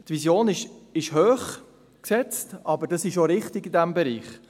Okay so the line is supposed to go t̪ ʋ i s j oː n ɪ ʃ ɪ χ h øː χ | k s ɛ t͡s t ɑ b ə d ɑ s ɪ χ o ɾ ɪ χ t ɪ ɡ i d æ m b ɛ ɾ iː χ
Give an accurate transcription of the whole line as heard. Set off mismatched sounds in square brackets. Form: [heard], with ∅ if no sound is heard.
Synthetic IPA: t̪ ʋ i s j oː n ɪ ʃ ɪ [ʃ] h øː χ | k s ɛ t͡s t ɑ b ə d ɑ s ɪ [ʃ] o ɾ ɪ χ t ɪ ɡ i d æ m b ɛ ɾ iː χ